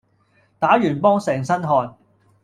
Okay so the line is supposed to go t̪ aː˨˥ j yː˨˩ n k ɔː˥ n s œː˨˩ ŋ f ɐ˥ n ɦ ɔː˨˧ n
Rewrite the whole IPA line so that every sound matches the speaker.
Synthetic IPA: t̪ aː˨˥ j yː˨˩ n p ɔː˥ ŋ s ɛː˨˩ ŋ s ɐ˥ n ɦ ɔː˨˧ n